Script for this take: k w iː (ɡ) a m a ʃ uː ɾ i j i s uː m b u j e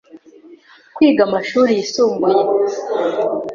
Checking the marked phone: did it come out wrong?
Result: no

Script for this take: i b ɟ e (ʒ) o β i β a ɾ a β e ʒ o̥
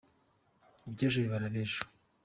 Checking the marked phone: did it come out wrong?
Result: no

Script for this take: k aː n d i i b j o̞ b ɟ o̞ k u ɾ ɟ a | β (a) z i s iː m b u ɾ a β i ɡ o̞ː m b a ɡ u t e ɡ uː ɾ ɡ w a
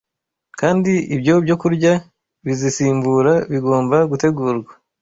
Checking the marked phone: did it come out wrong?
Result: yes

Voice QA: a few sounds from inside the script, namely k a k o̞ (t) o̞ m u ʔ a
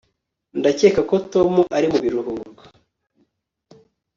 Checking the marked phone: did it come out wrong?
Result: no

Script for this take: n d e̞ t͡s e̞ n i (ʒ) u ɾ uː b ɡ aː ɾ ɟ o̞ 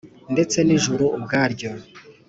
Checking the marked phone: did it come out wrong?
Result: no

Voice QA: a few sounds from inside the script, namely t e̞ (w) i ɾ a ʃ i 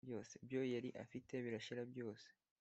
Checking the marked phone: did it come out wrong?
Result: yes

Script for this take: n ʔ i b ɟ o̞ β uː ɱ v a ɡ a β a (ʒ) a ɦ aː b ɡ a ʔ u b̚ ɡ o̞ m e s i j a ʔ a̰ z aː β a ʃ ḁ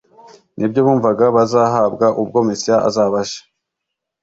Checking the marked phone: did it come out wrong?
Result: yes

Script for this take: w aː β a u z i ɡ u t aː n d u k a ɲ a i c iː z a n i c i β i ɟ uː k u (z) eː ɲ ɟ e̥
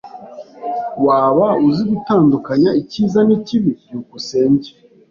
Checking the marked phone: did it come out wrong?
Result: yes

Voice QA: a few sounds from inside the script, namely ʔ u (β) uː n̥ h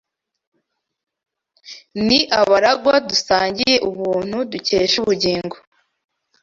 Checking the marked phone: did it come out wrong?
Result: no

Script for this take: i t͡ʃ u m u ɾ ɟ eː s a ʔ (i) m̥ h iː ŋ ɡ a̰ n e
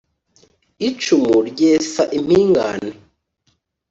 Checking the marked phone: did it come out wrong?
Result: no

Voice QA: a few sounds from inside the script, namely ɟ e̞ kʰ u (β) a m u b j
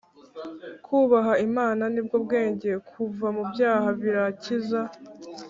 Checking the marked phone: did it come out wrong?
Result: yes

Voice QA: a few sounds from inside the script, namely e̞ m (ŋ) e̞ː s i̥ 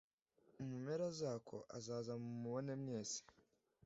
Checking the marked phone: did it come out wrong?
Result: yes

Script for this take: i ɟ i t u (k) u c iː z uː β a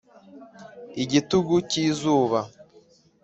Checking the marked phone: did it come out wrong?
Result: yes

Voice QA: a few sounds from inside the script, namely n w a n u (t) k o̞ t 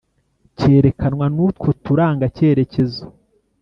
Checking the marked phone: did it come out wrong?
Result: no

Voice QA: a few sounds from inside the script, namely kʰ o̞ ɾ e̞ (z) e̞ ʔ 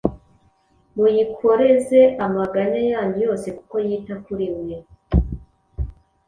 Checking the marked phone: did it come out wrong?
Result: no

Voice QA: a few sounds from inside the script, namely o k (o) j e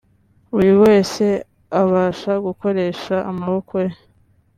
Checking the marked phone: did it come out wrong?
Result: no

